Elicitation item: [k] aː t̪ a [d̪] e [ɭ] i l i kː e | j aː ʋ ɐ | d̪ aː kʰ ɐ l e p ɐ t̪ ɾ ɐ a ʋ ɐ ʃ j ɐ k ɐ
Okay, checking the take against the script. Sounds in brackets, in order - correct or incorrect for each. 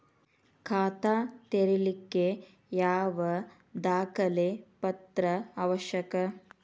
incorrect: kʰ, incorrect: t̪, incorrect: ɾ

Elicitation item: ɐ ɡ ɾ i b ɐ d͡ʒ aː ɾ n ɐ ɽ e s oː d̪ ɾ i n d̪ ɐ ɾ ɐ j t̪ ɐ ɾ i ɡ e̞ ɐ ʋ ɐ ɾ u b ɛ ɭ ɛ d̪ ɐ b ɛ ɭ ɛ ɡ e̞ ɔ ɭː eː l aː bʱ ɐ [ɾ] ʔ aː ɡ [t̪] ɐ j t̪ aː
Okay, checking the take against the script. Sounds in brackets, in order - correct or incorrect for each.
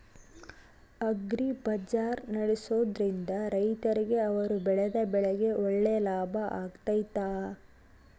incorrect: none, correct

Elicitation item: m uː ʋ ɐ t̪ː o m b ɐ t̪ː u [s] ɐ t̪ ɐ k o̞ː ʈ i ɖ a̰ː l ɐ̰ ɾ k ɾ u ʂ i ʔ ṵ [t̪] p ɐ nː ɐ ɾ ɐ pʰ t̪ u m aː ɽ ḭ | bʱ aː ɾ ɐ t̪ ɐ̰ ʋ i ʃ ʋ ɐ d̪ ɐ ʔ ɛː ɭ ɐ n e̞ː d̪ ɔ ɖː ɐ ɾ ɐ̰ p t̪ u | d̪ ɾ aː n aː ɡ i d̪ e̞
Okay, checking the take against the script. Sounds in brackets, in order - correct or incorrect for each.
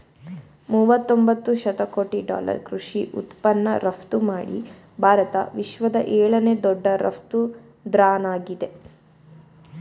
incorrect: ʃ, correct

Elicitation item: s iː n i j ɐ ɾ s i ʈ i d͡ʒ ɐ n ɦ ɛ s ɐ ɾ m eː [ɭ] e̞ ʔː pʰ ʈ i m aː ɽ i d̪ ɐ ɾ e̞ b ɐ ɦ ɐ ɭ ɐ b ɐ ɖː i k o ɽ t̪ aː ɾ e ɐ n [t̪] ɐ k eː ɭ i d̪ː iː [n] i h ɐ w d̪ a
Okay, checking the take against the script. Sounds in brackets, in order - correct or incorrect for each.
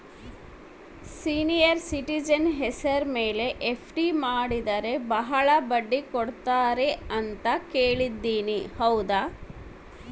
incorrect: l, correct, correct

